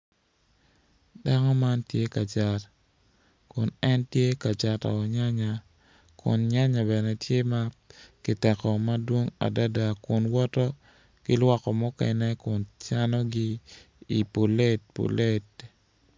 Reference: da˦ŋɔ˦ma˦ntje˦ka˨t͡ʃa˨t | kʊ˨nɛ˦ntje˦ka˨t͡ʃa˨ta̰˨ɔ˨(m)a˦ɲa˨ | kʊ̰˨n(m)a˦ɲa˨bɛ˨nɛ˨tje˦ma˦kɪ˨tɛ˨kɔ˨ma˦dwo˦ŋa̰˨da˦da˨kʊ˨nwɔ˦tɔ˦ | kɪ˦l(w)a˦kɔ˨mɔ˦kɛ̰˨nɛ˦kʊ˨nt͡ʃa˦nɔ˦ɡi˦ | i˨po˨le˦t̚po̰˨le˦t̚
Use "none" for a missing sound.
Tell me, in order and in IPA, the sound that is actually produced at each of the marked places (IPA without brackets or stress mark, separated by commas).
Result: ɲ, ɲ, w